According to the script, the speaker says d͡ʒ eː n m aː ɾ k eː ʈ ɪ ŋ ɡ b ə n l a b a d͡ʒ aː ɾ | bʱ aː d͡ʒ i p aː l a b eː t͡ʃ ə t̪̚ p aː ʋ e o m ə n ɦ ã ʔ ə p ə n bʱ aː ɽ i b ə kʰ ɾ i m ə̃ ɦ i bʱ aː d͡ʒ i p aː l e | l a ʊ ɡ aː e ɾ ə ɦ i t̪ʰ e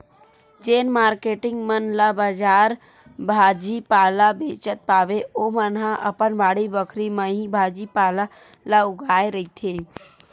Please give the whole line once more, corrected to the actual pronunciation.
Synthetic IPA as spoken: d͡ʒ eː n m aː ɾ k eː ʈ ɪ ŋ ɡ m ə n l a b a d͡ʒ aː ɾ | bʱ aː d͡ʒ i p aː l a b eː t͡ʃ ə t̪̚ p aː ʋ e o m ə n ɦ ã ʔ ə p ə n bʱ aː ɽ i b ə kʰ ɾ i m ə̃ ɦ i bʱ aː d͡ʒ i p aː l a | l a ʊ ɡ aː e ɾ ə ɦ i t̪ʰ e